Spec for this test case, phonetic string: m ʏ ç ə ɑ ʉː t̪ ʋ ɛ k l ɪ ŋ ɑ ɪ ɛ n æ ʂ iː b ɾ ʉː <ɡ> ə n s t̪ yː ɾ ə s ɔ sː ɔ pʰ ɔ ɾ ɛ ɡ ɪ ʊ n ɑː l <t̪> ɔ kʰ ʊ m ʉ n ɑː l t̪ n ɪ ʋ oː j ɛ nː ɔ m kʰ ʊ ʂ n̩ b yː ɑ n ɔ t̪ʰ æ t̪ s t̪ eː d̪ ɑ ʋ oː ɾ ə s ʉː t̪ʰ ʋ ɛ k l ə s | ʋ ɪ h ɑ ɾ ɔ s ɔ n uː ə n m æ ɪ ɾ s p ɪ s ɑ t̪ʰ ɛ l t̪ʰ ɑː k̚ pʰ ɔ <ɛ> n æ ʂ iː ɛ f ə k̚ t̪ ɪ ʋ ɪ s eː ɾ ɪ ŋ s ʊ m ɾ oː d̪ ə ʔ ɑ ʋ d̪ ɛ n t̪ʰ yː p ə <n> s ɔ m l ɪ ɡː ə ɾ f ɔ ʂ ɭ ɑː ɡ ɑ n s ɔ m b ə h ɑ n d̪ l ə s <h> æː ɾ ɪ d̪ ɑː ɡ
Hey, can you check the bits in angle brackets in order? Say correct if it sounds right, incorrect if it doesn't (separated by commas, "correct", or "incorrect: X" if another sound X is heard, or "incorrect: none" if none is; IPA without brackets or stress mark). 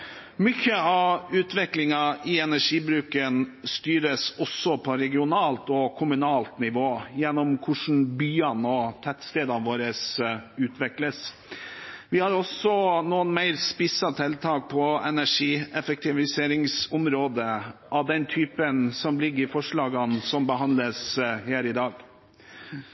incorrect: k, correct, correct, correct, correct